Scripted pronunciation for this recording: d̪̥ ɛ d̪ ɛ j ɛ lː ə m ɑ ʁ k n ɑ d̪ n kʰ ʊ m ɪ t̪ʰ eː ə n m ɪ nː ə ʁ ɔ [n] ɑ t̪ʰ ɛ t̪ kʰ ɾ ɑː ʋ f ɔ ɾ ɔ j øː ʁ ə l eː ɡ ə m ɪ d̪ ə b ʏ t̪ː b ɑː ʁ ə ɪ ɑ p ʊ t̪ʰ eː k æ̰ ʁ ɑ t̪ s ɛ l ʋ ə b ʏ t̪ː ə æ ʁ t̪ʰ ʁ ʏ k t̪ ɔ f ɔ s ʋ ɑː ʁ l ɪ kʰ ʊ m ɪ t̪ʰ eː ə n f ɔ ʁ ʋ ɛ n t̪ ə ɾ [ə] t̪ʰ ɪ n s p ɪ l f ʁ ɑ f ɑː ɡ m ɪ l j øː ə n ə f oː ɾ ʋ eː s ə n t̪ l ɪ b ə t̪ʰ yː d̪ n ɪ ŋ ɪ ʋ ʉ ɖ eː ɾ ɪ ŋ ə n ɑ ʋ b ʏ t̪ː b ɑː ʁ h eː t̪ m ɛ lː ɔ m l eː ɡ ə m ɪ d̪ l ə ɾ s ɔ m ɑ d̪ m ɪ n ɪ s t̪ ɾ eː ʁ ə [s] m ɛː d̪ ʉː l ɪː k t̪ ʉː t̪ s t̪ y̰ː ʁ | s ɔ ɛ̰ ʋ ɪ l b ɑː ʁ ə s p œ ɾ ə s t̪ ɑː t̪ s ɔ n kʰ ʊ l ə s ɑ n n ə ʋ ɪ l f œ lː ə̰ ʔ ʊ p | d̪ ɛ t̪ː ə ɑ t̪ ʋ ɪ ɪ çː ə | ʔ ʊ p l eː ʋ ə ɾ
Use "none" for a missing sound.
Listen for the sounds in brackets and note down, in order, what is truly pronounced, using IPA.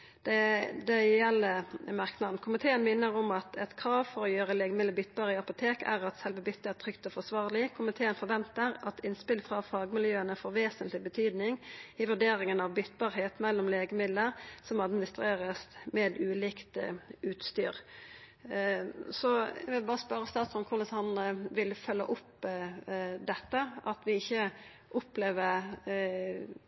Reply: m, ɑ, s

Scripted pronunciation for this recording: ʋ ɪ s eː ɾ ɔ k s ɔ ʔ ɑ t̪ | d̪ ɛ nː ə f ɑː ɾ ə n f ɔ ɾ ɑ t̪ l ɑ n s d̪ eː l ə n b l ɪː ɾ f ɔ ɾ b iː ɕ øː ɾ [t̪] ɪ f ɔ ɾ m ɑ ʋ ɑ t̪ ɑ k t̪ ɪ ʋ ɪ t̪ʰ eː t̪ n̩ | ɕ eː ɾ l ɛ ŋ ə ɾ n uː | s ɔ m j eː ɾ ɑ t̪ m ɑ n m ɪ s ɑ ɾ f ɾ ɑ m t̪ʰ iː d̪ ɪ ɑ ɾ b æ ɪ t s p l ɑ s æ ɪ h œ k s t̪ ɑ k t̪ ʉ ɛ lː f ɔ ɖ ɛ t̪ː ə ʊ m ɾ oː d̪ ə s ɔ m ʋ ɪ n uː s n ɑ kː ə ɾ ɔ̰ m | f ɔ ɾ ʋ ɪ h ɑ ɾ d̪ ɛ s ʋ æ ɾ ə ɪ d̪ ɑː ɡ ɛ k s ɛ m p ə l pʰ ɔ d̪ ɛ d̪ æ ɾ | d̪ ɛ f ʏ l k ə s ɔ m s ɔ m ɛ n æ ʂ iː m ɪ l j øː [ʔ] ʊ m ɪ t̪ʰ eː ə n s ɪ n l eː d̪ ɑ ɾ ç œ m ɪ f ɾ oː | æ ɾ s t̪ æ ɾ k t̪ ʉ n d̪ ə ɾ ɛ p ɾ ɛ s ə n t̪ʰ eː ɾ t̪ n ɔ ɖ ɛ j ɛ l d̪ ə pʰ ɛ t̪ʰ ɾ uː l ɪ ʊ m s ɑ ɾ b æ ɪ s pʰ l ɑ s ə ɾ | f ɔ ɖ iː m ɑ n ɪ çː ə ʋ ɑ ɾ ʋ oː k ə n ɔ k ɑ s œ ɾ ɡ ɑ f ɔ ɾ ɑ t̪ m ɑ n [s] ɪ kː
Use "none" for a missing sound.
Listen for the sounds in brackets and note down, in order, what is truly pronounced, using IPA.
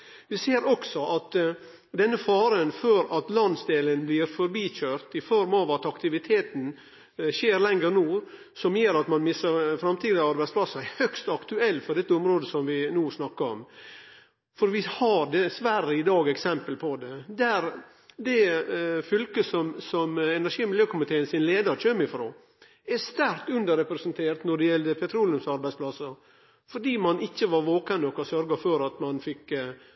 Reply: t̪, k, f

